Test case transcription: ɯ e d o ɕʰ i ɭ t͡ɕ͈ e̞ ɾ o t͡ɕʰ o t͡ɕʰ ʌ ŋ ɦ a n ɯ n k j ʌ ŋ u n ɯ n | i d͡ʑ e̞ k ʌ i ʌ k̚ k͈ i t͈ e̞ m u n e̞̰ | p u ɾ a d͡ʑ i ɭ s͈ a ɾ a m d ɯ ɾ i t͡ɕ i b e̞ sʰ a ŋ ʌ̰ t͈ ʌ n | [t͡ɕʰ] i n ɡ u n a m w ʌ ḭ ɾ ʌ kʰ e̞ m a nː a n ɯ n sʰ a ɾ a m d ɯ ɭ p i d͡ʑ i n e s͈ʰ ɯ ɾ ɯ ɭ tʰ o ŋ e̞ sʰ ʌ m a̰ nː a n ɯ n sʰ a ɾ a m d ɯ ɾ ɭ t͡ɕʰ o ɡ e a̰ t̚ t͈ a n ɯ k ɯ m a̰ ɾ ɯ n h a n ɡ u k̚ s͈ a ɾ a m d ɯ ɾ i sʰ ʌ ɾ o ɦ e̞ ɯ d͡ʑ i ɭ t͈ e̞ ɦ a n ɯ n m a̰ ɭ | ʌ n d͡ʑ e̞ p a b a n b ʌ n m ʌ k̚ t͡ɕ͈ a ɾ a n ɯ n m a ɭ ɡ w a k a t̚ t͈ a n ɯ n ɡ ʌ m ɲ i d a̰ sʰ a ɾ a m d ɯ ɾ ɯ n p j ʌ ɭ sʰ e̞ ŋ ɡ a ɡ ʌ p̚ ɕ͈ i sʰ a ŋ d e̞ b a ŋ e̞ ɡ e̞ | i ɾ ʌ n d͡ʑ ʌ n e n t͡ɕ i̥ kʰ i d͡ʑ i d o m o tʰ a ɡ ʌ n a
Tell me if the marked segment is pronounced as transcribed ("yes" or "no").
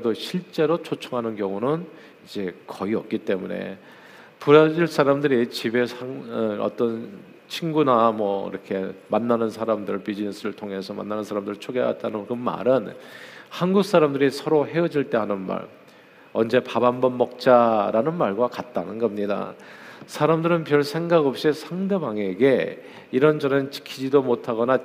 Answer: yes